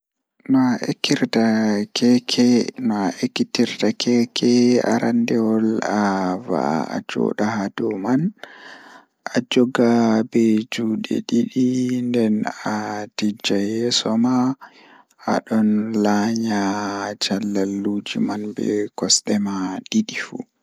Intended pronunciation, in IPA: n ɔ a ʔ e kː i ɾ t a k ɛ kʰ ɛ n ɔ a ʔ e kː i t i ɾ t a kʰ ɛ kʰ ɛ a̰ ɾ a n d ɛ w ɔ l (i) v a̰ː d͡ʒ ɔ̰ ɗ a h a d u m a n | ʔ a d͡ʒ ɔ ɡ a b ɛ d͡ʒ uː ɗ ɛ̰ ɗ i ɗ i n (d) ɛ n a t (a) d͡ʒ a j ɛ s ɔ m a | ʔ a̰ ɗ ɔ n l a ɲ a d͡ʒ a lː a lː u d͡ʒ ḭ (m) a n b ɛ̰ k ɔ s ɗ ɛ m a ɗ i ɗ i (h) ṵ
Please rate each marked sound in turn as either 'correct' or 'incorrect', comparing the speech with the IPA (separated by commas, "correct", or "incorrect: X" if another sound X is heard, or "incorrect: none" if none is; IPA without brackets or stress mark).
incorrect: a, correct, incorrect: i, correct, incorrect: f